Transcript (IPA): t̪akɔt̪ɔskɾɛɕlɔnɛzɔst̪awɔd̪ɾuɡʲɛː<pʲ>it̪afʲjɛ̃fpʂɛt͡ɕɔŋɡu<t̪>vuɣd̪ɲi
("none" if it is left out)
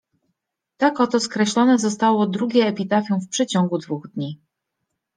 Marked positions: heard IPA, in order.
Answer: pʲ, d̪

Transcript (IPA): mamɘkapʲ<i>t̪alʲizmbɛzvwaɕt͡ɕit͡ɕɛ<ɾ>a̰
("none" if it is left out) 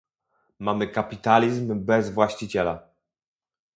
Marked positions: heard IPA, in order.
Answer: i, l

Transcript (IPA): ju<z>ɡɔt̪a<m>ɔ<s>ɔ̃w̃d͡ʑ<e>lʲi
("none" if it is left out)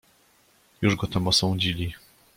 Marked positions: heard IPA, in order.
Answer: ʐ, m, s, i

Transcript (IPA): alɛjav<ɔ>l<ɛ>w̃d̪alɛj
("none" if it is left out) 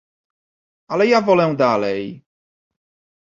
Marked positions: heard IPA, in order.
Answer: ɔ, ɛ

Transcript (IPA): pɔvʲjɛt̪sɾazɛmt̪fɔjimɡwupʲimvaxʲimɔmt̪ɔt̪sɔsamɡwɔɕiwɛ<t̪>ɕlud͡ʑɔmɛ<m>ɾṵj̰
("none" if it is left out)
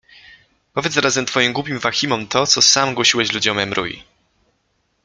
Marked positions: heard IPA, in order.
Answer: none, m

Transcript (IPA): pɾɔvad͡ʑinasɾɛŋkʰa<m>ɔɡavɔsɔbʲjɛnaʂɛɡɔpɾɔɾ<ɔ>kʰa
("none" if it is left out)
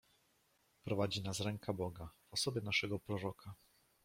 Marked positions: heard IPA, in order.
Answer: b, ɔ

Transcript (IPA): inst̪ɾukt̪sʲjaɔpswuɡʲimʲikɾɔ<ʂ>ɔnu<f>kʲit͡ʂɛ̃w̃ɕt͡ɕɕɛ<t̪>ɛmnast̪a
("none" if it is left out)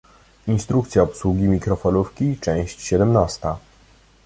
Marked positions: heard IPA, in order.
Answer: f, f, d̪

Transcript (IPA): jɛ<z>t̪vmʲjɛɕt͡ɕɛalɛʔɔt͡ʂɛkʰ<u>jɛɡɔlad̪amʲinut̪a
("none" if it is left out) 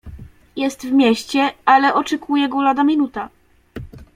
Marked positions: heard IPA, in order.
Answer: s, u

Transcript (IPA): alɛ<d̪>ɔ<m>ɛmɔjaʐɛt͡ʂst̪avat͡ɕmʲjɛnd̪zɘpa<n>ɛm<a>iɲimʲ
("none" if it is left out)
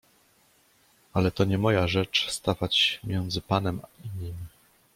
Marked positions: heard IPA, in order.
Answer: t̪, ɲ, n, a

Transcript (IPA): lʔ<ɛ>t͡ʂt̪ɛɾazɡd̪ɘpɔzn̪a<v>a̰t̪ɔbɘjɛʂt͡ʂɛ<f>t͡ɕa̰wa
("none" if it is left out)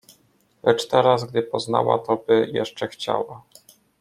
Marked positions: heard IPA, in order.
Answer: ɛ, w, x

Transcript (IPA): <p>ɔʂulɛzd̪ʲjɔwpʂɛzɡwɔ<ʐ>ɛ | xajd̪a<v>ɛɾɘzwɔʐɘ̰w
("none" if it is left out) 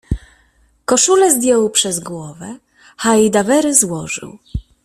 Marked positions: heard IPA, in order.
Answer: k, v, v

